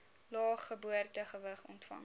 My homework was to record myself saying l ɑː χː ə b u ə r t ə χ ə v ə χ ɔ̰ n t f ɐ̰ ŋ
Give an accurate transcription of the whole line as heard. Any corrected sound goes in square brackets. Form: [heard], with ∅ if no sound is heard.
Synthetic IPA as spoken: l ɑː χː ə b u ə r t ə χ ə v ə χ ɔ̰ n t f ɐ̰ ŋ